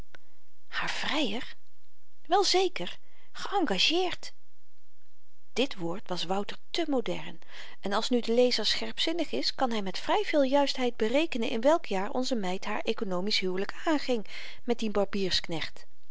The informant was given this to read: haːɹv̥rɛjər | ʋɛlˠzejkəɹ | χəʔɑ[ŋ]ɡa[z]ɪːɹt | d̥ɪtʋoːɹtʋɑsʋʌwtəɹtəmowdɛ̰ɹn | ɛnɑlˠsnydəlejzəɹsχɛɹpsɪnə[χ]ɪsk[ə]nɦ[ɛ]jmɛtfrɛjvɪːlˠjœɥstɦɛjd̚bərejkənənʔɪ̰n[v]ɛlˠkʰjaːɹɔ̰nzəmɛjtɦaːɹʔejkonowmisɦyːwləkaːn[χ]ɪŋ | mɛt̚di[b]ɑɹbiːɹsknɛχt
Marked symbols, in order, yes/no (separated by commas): yes, no, yes, no, yes, no, yes, yes